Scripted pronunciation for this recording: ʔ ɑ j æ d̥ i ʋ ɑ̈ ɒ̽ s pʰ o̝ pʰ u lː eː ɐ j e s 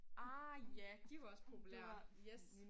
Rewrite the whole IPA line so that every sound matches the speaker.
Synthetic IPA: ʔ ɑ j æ d̥ i ʋ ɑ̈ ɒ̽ s pʰ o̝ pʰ u l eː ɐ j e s